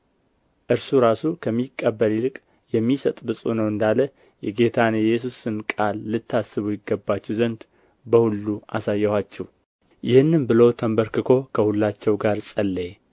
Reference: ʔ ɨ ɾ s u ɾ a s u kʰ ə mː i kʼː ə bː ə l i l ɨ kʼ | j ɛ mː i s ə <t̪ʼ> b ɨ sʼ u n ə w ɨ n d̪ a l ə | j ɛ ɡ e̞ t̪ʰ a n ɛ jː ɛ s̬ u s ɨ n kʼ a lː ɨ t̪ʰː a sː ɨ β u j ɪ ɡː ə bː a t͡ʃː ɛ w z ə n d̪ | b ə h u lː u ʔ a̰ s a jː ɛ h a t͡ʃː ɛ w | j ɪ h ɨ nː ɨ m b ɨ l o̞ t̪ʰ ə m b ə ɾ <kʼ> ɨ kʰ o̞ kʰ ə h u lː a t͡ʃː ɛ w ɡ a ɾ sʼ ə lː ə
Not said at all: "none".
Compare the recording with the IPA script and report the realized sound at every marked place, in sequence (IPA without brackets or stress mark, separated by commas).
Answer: t̪ʼ, k